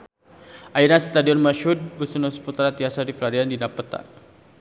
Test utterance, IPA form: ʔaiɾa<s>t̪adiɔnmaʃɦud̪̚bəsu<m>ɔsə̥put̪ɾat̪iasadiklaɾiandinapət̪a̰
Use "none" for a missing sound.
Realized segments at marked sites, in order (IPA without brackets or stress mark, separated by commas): s, n